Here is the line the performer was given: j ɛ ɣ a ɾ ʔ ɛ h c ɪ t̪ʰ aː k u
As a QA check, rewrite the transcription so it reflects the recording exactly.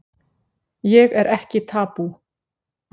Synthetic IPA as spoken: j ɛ ɣ ɛ ɾ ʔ ɛ h c ɪ t̪ʰ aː p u